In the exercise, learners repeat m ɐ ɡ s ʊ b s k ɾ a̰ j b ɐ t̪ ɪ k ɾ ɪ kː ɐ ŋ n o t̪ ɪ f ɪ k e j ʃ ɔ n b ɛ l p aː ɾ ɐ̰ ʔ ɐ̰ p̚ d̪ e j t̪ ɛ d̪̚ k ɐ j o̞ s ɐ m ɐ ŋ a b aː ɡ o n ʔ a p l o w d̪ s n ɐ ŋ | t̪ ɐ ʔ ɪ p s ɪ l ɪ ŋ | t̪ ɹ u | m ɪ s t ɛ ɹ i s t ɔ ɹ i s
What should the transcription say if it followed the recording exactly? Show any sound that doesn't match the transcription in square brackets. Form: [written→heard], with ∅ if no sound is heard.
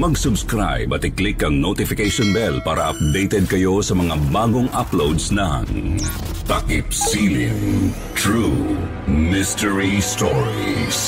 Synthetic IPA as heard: m ɐ ɡ s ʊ b s k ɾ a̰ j b ɐ t̪ ɪ k [ɾ→l] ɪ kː ɐ ŋ n o t̪ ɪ f ɪ k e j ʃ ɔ n b ɛ l p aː ɾ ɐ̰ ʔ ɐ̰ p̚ d̪ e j t̪ ɛ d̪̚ k ɐ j o̞ s ɐ m ɐ ŋ a b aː ɡ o [n→ŋ] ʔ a p l o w d̪ s n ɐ ŋ | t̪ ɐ [ʔ→k] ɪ p s [ɪ→i] l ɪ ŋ | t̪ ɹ u | m ɪ s t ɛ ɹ i s t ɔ ɹ i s